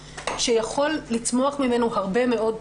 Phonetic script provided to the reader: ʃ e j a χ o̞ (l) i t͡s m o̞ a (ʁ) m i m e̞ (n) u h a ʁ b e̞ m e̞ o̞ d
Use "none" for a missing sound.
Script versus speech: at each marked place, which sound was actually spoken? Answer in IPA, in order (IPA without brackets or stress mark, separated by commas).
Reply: lː, χ, n